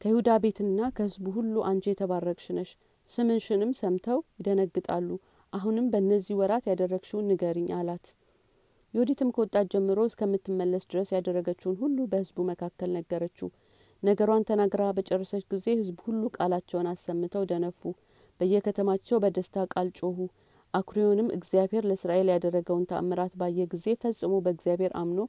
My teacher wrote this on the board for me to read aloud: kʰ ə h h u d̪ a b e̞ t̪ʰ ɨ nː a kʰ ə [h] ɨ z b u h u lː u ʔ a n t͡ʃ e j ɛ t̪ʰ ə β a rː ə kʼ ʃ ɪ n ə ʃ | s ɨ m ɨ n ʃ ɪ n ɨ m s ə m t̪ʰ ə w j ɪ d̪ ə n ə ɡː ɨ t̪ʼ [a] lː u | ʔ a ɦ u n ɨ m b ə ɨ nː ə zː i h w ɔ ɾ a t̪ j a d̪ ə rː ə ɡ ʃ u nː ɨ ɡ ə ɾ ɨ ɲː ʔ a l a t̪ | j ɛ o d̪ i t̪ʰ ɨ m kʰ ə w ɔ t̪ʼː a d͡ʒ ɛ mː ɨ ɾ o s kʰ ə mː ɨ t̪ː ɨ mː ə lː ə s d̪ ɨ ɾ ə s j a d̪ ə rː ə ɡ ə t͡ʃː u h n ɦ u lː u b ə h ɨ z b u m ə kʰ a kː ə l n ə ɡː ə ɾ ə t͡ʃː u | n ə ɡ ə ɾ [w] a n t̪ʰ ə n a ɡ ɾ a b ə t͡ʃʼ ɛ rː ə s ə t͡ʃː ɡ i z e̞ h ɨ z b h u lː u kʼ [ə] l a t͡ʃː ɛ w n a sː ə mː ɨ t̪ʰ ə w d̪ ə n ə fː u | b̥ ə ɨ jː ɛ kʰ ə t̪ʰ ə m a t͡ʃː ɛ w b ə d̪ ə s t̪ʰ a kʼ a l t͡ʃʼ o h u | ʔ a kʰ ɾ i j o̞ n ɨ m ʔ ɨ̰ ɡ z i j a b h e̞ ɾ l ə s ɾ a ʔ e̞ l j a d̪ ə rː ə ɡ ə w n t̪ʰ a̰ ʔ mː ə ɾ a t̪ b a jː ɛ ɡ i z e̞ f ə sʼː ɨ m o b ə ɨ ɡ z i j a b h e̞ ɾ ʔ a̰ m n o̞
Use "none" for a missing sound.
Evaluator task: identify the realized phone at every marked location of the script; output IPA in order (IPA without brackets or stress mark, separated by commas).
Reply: h, a, w, a